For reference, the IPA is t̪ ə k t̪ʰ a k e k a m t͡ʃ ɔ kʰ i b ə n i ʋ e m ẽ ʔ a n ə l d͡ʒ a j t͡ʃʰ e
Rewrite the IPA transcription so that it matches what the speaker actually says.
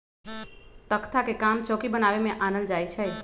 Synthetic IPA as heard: t̪ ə k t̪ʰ a k e k a m t͡ʃ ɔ k i b ə n a ʋ e m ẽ ʔ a n ə l d͡ʒ a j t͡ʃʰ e